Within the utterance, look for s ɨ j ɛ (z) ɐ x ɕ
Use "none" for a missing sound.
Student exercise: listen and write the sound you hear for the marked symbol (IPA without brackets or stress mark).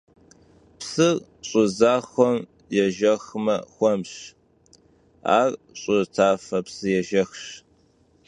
ʒ